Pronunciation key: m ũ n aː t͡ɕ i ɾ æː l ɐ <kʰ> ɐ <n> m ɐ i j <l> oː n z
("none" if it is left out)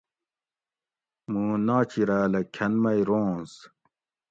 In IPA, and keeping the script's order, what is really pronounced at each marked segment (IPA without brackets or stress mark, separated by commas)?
kʰ, n, ɾ